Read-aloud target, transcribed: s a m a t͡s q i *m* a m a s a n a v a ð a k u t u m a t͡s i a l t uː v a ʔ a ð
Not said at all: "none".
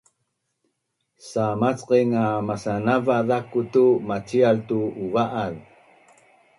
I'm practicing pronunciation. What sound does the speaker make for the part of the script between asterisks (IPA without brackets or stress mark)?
ŋ